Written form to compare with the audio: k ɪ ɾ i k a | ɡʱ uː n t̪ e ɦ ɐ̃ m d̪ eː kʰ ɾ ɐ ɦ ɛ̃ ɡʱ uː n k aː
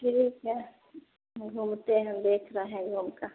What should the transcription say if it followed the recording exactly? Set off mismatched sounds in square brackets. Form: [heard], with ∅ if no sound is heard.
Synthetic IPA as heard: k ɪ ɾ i k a | ɡʱ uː [m] t̪ e ɦ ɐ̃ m d̪ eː kʰ ɾ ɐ ɦ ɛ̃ ɡʱ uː [m] k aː